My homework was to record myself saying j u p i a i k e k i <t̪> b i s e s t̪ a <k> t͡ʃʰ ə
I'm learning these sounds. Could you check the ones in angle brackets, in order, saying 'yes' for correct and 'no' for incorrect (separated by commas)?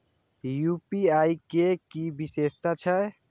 no, no